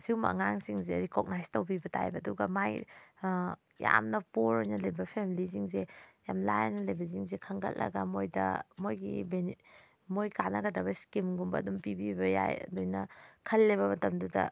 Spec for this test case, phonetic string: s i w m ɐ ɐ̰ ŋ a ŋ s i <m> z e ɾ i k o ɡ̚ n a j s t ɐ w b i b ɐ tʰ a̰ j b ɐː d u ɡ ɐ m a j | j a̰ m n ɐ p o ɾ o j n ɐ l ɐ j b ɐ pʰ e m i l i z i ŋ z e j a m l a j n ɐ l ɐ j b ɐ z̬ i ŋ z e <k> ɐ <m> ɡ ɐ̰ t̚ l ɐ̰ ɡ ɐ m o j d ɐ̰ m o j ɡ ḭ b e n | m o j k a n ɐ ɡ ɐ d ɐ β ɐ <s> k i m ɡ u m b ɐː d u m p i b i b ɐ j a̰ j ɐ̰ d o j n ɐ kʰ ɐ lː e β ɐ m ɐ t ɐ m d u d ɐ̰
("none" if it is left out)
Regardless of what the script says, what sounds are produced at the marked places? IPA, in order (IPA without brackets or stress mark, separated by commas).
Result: ŋ, kʰ, ŋ, s